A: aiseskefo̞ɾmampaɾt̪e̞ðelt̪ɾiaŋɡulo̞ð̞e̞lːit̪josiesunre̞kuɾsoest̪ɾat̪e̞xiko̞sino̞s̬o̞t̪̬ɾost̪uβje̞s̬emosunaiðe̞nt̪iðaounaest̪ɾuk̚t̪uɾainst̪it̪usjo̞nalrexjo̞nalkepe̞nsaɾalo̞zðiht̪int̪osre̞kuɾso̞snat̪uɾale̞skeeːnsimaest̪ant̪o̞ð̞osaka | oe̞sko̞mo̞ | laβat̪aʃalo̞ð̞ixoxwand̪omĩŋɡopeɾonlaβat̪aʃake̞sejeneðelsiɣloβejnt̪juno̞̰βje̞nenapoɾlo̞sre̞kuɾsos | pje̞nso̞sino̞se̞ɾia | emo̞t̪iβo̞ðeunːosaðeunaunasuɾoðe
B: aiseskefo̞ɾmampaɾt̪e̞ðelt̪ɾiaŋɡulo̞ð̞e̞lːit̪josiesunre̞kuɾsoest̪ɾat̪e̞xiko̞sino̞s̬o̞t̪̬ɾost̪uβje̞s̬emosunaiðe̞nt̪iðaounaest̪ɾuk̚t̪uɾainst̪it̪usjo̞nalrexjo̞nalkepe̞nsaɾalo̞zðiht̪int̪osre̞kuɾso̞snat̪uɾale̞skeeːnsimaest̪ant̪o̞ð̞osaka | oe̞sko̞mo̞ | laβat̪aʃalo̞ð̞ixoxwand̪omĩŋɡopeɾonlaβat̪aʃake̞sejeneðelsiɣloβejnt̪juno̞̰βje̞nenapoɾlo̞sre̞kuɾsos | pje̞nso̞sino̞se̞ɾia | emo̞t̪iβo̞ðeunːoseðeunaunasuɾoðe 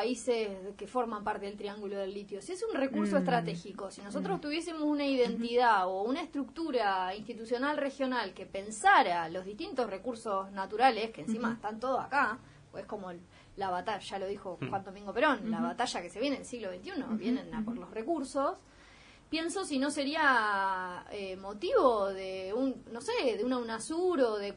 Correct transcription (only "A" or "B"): B